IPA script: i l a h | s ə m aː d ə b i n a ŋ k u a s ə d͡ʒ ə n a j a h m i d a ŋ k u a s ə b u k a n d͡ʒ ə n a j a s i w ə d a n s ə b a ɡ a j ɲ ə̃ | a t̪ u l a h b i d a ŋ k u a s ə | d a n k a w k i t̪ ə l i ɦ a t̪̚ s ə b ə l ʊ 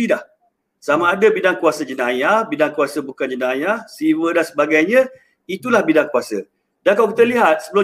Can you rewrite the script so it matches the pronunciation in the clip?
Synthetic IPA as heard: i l a h | s a m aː d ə b i d a ŋ k u a s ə d͡ʒ ə n a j a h b i d a ŋ k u a s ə b u k a n d͡ʒ ə n a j a s i w ə d a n s ə b a ɡ a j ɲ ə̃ | i t̪ u l a h b i d a ŋ k u a s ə | d a n k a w k i t̪ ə l i ɦ a t̪̚ s ə b ə l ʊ